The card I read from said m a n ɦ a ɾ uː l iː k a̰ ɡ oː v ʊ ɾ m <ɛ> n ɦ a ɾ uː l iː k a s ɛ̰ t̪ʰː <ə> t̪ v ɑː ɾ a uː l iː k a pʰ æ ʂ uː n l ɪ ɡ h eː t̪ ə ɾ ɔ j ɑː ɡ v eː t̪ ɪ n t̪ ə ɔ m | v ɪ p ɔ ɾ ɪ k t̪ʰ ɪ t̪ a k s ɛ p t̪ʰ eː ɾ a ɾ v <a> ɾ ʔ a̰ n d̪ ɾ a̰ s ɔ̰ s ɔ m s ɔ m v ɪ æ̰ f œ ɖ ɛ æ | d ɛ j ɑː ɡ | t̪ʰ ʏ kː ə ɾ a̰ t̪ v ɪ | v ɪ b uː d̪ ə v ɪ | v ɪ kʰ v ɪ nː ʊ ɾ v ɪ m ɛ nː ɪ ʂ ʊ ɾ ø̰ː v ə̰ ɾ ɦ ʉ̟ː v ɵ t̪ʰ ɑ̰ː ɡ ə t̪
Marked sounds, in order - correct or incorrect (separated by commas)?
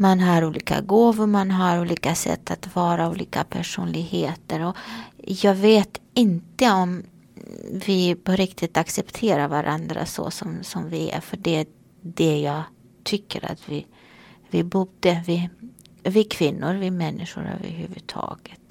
incorrect, incorrect, correct